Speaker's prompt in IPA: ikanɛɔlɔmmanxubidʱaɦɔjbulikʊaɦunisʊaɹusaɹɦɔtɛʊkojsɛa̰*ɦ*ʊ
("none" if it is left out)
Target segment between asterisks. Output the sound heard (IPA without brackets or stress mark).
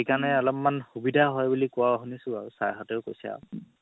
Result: none